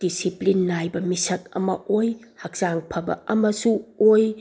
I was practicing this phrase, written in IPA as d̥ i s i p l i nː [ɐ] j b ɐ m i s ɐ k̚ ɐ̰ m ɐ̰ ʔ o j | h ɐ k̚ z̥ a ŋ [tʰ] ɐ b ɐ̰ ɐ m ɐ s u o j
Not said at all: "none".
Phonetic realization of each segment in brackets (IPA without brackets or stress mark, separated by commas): a, pʰ